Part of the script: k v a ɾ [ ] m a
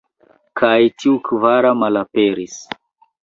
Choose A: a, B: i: A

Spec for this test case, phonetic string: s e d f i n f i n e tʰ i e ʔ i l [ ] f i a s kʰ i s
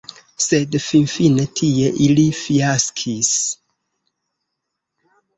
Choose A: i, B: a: A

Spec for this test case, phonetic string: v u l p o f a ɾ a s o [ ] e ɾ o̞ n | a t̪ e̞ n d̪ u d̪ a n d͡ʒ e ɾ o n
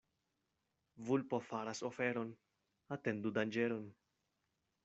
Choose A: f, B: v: A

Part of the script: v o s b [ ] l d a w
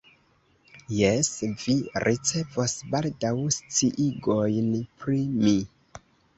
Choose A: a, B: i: A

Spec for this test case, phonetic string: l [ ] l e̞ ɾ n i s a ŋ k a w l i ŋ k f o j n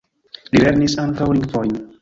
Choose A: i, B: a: A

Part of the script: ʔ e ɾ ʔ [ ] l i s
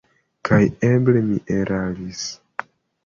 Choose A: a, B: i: A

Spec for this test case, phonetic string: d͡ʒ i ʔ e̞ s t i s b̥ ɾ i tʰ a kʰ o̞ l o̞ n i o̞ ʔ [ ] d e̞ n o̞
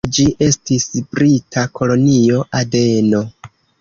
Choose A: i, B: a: B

